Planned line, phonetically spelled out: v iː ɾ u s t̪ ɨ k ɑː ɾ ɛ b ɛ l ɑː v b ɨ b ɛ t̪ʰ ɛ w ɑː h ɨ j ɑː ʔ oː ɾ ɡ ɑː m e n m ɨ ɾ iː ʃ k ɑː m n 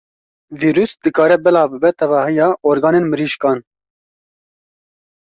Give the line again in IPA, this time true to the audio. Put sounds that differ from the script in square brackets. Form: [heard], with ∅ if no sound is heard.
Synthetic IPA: v iː ɾ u s [d̪] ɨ k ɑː ɾ ɛ b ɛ l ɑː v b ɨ b ɛ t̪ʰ ɛ [v] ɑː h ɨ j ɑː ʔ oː ɾ ɡ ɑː [n] e n m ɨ ɾ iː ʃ k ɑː [∅] n